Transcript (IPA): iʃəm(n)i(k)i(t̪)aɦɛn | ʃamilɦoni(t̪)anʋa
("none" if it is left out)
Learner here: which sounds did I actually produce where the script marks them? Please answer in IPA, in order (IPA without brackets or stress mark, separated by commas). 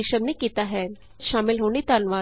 n, k, t̪, t̪